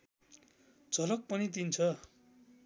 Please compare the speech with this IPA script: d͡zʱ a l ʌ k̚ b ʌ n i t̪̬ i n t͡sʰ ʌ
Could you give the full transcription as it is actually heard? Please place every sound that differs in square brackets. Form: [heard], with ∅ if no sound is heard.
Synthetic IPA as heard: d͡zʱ [ʌ] l ʌ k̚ [p] ʌ n i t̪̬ i n t͡sʰ ʌ

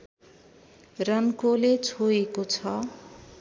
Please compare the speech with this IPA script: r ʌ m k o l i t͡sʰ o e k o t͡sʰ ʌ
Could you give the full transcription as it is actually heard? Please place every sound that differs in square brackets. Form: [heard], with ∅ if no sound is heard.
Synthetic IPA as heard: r ʌ [n] k o l [e] t͡sʰ o e k o t͡sʰ ʌ

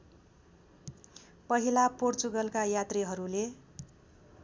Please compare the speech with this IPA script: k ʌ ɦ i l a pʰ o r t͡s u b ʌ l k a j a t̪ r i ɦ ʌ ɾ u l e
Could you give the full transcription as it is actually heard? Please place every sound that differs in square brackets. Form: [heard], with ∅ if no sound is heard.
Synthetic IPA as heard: [p] ʌ ɦ i l a [p] o r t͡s u [ɡ] ʌ l k a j a t̪ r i ɦ ʌ ɾ u l e

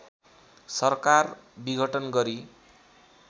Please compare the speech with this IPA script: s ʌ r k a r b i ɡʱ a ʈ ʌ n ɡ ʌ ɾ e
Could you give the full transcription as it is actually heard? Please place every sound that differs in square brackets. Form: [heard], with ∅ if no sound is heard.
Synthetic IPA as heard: s ʌ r k a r b i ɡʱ [ʌ] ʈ ʌ n ɡ ʌ ɾ [i]

